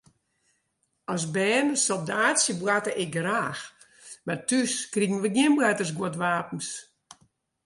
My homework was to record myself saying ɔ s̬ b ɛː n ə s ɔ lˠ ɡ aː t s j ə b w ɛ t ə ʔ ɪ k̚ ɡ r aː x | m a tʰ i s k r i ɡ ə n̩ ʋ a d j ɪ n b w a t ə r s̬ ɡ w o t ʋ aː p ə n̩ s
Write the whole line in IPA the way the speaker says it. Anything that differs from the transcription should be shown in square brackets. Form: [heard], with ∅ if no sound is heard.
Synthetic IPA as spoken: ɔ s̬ b ɛː n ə s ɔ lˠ [d] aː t s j ə b w [a] t ə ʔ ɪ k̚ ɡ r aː x | m a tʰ [y] s k r i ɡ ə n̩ ʋ [ə] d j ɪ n b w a t ə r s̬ ɡ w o t ʋ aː p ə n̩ s